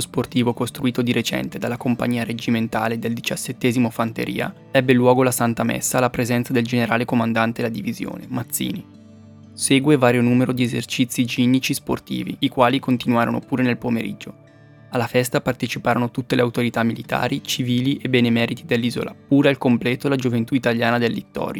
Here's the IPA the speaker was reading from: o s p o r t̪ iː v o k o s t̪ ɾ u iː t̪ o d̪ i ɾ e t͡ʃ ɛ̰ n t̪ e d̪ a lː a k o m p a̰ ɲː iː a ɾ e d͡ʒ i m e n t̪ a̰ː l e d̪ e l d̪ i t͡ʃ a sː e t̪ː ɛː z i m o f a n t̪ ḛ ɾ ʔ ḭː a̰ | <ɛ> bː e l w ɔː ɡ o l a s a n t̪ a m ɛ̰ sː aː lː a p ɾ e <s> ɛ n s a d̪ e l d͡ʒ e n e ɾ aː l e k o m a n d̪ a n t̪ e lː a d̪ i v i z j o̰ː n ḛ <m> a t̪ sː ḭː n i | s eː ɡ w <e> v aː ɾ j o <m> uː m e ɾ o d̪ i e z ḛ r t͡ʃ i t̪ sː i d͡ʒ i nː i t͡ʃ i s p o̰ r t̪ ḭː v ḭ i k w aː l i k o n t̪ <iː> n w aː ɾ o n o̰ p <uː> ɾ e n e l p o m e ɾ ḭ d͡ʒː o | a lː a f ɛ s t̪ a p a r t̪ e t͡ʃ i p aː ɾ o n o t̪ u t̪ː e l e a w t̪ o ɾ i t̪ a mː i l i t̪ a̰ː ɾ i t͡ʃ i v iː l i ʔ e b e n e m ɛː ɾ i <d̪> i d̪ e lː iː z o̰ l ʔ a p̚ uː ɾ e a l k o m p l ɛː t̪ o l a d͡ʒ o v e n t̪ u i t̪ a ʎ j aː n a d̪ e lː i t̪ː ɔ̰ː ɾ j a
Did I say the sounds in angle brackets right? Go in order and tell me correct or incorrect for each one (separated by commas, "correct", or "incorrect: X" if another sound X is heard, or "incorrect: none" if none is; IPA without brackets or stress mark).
correct, incorrect: z, correct, correct, incorrect: n, incorrect: i, correct, incorrect: t̪